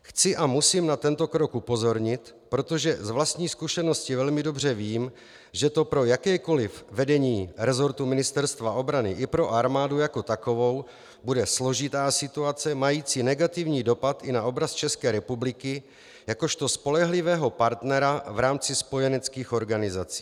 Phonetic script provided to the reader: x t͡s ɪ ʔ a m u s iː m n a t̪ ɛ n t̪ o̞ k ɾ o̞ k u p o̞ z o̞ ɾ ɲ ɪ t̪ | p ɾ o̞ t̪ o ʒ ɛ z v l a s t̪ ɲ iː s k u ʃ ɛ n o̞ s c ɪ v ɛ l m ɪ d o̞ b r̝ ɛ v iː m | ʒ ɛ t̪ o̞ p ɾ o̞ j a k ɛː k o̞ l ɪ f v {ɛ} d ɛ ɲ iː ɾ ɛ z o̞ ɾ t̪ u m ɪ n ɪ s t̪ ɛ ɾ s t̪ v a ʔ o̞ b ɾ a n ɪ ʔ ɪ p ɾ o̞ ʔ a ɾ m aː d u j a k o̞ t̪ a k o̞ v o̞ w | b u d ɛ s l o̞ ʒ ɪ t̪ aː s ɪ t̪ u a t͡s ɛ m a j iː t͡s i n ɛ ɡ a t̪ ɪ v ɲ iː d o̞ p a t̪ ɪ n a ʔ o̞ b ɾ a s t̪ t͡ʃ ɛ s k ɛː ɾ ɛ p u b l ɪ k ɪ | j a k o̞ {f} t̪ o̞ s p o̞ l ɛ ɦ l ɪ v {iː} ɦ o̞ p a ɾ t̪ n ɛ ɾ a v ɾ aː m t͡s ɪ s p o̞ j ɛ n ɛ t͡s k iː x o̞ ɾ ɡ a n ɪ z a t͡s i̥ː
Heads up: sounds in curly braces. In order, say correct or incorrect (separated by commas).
correct, incorrect, incorrect